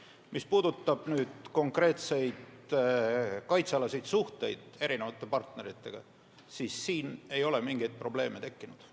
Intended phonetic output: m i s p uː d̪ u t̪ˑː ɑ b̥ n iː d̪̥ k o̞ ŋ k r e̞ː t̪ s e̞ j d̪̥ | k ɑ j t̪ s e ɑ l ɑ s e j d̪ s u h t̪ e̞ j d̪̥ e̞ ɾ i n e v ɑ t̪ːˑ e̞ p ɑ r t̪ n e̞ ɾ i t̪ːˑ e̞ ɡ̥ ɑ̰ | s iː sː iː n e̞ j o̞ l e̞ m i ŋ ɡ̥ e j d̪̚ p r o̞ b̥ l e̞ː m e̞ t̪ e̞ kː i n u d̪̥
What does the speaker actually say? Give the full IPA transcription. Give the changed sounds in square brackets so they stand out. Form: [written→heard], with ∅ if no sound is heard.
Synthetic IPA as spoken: m i s p uː d̪ u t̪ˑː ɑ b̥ n [iː→yː] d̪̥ k o̞ ŋ k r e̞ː t̪ s e̞ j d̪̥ | k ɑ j t̪ s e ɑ l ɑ s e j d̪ s u h t̪ e̞ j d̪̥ e̞ ɾ i n e v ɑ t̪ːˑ e̞ p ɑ r t̪ n e̞ ɾ i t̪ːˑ e̞ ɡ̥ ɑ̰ | s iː sː iː n e̞ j o̞ l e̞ m i ŋ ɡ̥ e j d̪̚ p r o̞ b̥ l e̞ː m e̞ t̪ e̞ kː i n u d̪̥